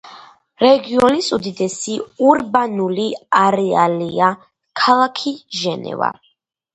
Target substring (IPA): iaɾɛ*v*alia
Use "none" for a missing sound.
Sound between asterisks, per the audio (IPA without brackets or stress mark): none